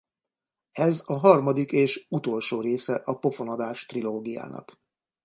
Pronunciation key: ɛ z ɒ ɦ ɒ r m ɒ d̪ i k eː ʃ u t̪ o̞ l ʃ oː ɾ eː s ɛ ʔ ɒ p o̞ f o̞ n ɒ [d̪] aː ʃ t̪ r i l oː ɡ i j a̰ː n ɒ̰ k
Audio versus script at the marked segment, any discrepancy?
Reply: no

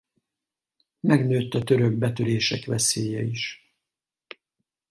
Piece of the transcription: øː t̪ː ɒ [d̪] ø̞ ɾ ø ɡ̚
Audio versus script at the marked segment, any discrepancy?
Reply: yes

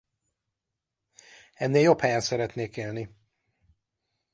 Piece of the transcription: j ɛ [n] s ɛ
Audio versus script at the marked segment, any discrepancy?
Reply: no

